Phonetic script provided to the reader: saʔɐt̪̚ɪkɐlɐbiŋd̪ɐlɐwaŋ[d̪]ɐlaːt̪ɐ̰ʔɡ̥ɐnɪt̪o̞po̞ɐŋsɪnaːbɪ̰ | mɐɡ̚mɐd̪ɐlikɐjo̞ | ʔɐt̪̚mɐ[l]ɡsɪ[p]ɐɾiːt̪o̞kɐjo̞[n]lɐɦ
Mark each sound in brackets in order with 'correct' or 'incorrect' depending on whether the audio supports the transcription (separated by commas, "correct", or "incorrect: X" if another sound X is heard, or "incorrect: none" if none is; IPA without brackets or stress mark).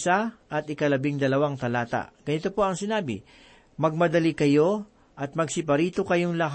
incorrect: t̪, incorrect: none, correct, incorrect: ŋ